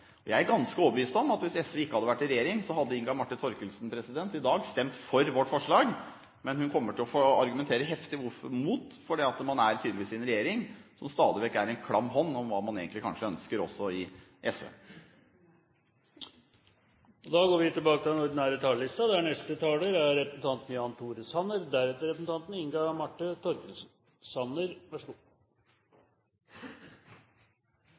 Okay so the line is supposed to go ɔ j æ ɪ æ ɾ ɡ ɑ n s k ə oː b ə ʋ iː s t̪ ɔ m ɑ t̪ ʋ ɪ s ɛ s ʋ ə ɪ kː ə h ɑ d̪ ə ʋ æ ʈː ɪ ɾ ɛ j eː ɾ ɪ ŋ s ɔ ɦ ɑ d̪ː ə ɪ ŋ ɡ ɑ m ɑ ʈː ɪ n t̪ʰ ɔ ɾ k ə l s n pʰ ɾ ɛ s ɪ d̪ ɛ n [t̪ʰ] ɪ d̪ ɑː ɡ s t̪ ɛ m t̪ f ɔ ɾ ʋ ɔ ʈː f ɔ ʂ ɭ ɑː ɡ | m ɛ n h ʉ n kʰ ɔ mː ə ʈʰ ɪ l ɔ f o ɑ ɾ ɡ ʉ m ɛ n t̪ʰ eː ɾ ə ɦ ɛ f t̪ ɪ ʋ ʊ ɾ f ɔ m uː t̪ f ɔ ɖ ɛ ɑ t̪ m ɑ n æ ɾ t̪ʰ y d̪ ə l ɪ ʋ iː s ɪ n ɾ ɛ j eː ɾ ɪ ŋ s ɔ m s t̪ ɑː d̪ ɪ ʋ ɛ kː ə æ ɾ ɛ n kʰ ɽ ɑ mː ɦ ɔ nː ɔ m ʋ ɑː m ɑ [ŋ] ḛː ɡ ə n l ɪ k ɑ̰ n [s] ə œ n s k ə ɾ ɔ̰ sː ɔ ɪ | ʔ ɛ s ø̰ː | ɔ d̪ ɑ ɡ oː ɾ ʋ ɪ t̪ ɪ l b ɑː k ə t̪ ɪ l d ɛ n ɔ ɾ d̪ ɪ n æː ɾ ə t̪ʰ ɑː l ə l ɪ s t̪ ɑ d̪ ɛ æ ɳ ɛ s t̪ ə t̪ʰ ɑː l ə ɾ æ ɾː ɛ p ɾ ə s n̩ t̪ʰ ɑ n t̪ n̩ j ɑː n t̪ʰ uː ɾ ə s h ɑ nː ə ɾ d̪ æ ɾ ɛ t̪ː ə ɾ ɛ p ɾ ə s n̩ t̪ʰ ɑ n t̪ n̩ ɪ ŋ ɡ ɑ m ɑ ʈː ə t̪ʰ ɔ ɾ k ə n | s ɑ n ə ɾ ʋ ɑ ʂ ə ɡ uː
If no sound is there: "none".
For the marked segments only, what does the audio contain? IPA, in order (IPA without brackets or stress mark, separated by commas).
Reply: t̪, n, ʂ